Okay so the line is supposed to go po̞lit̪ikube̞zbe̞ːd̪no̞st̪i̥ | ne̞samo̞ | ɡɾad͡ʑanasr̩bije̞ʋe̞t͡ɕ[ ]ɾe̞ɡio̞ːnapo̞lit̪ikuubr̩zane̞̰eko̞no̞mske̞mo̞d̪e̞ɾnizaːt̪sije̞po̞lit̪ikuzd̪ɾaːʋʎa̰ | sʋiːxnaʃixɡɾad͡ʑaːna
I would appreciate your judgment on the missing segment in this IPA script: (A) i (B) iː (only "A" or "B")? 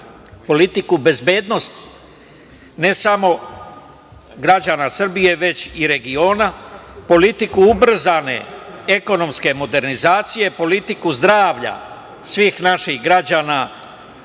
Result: A